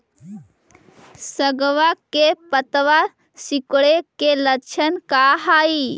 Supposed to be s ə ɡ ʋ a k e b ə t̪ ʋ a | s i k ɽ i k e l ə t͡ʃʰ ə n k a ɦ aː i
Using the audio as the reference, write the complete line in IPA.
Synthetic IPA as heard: s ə ɡ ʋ a k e p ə t̪ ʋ a | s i k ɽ e k e l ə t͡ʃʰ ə n k a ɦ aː i